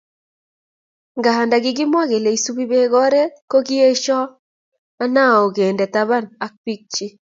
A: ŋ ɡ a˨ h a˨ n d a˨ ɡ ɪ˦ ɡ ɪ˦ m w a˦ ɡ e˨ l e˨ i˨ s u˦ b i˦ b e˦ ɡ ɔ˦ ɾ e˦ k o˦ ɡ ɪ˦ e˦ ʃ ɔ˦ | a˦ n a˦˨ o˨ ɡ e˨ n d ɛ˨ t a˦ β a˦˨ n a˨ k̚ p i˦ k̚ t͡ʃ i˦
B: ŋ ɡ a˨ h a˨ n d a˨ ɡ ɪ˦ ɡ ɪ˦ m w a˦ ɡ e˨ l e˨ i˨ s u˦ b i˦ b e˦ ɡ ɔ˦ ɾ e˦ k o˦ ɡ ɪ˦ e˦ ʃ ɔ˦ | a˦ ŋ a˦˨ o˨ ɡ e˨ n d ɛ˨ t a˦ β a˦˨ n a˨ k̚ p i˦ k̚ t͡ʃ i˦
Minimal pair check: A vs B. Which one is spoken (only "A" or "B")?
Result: A